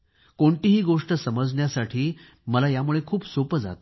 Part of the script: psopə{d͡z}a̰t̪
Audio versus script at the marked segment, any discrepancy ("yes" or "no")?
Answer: no